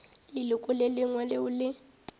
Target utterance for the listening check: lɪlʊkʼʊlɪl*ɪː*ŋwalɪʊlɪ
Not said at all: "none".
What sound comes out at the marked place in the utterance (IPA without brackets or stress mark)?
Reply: ɪ